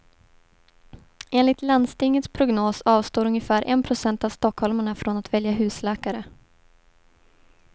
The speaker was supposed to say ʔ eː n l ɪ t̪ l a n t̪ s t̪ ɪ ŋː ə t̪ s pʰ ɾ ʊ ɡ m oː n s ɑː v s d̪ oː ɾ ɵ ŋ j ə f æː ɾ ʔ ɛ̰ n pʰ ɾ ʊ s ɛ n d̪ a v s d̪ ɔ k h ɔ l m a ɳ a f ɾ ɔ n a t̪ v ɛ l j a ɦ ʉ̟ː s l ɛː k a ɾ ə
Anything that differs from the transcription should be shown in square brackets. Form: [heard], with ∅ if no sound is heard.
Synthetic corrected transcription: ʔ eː n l ɪ t̪ l a n [d̪] s t̪ ɪ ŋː ə t̪ s pʰ ɾ ʊ ɡ [n] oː [∅] s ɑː v s [t̪] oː ɾ ɵ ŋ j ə f æː ɾ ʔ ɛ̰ n pʰ ɾ ʊ s ɛ n [t̪] a v s [t̪] ɔ k h ɔ l m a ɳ a f ɾ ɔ n a t̪ v ɛ l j a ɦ ʉ̟ː s l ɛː k a ɾ ə